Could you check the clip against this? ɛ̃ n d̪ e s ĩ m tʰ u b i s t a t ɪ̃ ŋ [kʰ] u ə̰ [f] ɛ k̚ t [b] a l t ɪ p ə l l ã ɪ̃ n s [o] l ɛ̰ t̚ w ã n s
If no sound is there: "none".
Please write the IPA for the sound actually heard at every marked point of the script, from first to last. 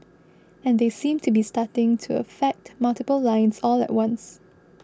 tʰ, f, m, ɔ

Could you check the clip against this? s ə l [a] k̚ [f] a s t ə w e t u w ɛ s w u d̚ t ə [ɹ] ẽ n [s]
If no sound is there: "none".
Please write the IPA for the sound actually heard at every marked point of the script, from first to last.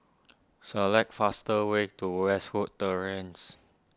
ɛ, f, ɹ, s

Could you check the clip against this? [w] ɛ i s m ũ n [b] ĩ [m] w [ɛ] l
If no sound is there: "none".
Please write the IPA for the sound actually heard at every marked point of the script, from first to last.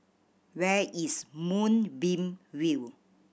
w, b, m, i

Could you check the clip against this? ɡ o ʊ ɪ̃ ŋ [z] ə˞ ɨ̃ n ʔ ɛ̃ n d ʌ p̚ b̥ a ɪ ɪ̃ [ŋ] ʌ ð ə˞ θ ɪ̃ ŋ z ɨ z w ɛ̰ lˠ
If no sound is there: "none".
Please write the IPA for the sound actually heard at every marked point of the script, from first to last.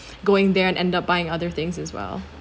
ð, ŋ

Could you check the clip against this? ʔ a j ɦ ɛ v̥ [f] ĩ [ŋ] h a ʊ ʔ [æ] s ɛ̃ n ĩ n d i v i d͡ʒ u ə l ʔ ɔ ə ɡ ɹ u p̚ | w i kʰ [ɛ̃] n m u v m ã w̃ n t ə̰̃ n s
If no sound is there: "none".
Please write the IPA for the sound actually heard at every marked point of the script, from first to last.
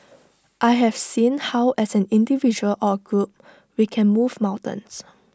s, n, ɛ, ɛ̃

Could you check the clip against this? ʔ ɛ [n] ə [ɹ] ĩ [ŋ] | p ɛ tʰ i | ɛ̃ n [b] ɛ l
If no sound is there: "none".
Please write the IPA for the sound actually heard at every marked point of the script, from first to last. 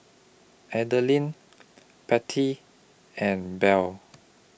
d, l, n, b

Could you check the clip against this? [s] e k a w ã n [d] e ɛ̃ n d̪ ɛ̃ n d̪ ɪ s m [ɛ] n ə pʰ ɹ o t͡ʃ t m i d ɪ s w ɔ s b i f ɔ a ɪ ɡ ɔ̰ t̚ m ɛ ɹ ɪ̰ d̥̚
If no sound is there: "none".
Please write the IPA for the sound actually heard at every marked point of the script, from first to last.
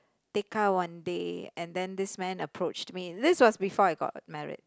t, d, ɛ̃

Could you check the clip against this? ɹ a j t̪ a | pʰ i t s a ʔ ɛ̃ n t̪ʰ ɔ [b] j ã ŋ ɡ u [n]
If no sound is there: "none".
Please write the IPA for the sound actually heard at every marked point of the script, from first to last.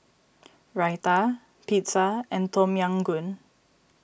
m, n

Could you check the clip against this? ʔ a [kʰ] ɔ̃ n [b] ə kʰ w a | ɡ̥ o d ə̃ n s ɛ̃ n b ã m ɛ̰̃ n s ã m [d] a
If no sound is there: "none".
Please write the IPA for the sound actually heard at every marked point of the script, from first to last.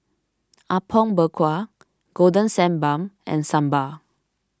pʰ, b, b

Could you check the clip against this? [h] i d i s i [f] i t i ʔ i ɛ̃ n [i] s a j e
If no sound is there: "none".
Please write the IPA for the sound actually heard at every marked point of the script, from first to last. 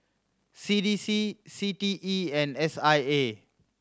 s, s, ɛ

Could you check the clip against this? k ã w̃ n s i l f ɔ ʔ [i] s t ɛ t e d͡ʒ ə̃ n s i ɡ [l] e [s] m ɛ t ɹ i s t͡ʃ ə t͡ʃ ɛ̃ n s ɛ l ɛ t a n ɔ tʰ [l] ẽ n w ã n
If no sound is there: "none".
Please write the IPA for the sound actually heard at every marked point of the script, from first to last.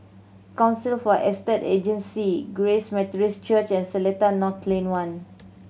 ɛ, ɹ, s, l

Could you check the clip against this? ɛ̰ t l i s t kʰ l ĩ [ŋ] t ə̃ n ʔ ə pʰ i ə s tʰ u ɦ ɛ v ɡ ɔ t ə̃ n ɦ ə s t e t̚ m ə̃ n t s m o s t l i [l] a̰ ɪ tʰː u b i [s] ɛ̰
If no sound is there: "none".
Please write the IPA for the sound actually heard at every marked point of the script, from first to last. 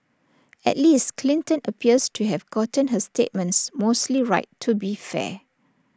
n, ɹ, f

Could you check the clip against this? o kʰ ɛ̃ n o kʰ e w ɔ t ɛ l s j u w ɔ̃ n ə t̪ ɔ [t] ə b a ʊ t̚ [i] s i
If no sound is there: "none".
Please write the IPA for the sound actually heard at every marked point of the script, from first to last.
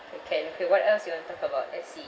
k, ɛ

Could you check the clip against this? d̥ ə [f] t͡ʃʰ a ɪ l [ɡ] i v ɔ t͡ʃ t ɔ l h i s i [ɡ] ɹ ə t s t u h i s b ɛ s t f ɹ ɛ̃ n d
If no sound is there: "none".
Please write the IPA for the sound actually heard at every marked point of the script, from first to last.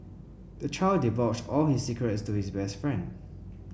none, d, k

